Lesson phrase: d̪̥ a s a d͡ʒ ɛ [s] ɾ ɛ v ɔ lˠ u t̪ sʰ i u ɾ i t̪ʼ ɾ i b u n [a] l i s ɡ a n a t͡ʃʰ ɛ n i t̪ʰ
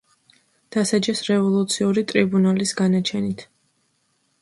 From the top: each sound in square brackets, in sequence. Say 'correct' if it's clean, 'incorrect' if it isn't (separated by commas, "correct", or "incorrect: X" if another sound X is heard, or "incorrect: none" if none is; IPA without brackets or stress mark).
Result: correct, correct